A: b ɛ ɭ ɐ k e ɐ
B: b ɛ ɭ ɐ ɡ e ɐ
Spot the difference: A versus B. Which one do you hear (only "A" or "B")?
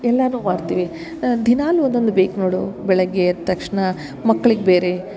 B